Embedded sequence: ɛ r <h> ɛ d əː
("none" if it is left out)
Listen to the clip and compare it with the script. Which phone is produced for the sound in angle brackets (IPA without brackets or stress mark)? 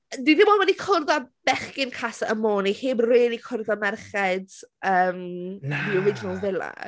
χ